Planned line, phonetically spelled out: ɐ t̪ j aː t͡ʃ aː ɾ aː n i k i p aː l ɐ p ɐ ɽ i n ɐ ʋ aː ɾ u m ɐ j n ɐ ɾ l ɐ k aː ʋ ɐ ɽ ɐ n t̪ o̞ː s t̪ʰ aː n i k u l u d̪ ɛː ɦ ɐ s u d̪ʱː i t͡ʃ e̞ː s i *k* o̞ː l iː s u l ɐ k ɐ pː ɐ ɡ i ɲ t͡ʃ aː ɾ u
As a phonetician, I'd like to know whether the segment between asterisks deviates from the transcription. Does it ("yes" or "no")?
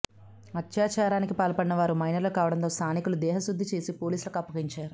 yes